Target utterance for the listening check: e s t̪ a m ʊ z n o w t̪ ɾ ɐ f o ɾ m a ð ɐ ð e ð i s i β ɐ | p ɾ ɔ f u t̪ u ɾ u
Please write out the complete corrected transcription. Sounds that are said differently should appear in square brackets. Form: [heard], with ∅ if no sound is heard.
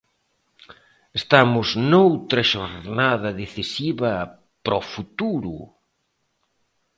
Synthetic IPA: e s t̪ a m ʊ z n o w t̪ ɾ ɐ [ʃ] o ɾ [n] a ð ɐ ð e [θ] i s i β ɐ | p ɾ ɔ f u t̪ u ɾ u